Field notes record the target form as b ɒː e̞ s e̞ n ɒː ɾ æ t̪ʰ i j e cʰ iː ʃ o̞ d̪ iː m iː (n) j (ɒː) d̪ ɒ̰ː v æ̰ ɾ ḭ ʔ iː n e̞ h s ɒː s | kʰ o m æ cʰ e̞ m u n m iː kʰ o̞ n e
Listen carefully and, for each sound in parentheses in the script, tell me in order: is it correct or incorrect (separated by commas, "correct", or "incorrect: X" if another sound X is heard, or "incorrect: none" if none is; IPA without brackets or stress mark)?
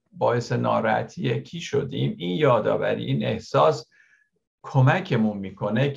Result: correct, correct